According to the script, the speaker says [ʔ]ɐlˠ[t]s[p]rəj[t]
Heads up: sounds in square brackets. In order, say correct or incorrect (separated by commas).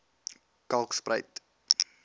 incorrect, incorrect, correct, correct